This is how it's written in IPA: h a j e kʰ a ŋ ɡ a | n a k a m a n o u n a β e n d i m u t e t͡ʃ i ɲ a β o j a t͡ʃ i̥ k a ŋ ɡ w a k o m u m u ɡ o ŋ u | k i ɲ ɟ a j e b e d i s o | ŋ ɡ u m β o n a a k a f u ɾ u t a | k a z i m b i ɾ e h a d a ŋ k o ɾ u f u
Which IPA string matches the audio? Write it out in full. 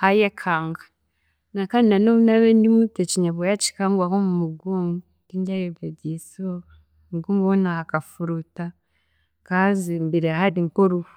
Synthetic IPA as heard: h a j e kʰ a ŋ ɡ a | n a k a n a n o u n a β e n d i m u t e t͡ʃ i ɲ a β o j a t͡ʃ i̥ k a ŋ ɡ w a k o m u m u ɡ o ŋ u | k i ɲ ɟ a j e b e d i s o | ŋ ɡ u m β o n a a k a f u ɾ u t a | k a z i m b i ɾ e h a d i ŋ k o ɾ u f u